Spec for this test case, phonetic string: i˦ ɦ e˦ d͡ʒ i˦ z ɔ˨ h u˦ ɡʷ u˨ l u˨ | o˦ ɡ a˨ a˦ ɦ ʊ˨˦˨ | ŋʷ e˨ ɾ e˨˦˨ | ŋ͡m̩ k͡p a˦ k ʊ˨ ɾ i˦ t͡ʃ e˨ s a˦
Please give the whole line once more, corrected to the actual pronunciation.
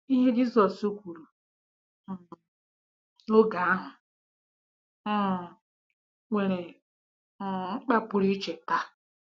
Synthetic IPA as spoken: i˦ ɦ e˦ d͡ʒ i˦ z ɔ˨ s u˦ kʷ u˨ ɾ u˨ | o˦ ɡ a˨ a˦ ɦ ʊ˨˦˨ | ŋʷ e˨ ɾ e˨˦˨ | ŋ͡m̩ k͡p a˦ p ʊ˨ ɾ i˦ t͡ʃ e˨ t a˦